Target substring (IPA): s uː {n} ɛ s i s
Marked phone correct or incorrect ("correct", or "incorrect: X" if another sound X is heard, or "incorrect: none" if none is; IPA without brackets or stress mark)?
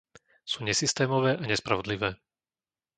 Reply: incorrect: ɲ